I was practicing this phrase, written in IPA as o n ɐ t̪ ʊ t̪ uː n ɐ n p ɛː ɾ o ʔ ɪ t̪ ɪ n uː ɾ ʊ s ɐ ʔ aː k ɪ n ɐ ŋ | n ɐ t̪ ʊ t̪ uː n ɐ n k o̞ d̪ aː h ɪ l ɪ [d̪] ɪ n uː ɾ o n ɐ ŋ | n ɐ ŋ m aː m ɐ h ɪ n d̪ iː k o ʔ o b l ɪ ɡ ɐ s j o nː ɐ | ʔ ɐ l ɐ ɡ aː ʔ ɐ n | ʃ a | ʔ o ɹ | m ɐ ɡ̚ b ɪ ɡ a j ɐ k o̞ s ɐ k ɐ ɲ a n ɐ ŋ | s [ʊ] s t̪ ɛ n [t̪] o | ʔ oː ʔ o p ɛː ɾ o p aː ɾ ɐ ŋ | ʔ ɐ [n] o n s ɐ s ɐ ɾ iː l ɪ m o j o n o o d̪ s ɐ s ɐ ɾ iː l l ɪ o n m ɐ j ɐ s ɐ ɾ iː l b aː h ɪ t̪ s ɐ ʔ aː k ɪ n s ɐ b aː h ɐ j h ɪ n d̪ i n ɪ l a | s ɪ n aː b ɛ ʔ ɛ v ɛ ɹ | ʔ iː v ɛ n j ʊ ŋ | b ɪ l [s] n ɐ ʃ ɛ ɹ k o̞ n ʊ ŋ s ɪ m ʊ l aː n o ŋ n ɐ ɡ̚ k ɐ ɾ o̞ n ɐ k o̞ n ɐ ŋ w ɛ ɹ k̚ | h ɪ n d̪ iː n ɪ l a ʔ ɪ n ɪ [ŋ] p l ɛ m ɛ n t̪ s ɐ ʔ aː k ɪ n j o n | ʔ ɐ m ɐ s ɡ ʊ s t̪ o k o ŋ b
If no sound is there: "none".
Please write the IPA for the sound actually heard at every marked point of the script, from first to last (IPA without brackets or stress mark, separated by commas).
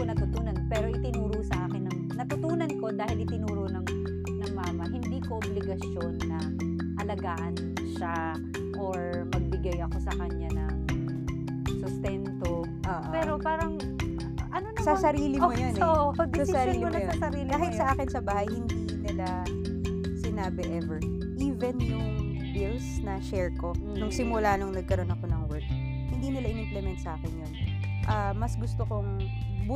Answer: t̪, ʊ, t̪, n, s, m